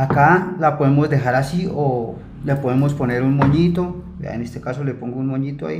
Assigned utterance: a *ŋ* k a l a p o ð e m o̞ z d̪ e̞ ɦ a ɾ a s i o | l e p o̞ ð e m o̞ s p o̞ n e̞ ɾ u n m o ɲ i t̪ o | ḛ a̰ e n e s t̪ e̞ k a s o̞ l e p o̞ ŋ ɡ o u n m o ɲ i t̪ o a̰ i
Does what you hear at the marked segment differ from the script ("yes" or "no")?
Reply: yes